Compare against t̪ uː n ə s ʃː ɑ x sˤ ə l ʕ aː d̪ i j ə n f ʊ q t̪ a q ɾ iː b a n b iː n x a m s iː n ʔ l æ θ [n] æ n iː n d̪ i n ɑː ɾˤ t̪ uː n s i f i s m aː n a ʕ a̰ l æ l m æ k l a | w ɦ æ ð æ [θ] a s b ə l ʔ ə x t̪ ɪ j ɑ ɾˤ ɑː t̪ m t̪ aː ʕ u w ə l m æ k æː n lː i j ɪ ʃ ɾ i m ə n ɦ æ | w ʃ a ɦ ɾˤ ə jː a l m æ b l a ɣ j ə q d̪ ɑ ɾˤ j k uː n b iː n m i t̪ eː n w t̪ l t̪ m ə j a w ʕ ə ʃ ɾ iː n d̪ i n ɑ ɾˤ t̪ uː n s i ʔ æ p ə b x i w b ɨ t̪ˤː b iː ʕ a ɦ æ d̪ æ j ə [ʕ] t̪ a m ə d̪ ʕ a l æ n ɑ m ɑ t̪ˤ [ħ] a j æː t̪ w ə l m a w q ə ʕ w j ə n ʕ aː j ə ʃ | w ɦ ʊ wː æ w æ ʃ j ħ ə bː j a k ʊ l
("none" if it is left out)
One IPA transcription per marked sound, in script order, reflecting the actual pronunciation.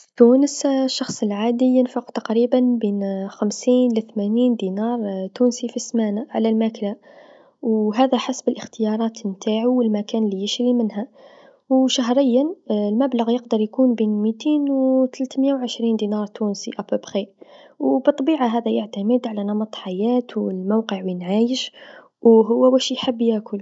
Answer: m, ħ, ʕ, ħ

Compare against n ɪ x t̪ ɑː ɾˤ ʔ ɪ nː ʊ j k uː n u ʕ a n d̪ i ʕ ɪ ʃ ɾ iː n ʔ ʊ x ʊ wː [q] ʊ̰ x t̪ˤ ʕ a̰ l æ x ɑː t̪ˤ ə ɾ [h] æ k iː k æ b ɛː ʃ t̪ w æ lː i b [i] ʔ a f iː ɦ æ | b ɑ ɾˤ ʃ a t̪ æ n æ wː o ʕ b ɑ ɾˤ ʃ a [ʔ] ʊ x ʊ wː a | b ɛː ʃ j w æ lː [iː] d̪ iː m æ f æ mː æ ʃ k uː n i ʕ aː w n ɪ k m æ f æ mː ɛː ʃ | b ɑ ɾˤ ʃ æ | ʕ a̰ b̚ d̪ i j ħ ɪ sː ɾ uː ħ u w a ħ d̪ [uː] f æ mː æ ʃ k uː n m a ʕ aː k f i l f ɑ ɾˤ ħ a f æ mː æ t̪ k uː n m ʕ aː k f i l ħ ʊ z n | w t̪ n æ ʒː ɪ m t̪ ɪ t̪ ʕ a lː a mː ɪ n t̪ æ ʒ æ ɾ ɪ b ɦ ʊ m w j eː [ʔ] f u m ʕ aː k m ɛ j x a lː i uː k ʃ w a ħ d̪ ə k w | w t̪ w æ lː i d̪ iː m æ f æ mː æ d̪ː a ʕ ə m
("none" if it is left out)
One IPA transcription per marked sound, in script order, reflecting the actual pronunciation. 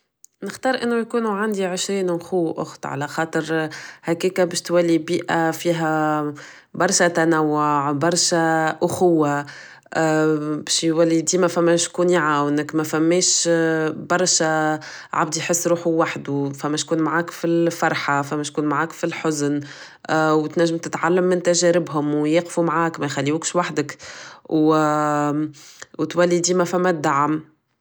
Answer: ʔ, h, iː, ʔ, i, u, q

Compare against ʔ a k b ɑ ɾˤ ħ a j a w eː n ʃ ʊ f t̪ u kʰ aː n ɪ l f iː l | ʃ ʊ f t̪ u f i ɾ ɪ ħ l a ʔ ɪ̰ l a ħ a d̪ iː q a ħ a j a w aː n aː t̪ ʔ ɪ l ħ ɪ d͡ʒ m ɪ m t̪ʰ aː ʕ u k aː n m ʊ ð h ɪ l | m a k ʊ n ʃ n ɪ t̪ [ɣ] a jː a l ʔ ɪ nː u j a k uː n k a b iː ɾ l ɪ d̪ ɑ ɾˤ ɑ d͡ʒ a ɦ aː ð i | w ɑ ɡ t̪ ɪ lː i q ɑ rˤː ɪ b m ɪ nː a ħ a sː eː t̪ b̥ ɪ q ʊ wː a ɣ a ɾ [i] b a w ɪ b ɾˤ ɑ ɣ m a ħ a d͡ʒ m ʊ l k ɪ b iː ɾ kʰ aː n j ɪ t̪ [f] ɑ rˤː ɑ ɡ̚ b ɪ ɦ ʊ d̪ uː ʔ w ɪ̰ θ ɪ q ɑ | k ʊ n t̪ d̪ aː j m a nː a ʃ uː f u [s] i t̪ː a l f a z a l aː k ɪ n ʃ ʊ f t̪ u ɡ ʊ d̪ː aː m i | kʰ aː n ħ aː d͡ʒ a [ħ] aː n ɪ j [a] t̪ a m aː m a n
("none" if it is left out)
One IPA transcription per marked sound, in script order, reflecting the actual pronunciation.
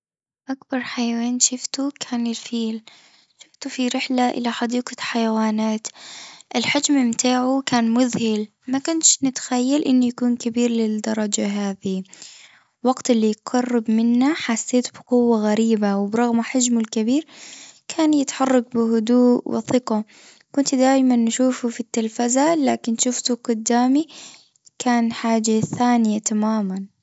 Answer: x, iː, ħ, f, θ, a

